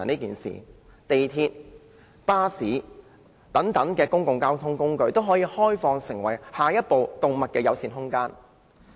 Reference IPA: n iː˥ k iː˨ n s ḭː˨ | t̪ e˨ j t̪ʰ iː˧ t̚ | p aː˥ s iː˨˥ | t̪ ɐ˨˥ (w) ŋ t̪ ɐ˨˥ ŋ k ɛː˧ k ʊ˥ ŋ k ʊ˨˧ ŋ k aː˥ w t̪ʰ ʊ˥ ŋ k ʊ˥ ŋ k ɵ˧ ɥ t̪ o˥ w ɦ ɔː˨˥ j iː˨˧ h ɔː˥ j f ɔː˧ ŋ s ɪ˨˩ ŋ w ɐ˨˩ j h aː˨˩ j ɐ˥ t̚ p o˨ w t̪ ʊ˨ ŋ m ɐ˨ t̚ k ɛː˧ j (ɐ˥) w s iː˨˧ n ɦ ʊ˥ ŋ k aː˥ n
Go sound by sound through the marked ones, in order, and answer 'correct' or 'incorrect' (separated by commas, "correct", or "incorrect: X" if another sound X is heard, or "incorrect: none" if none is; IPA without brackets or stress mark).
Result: incorrect: none, incorrect: ɐ˨˧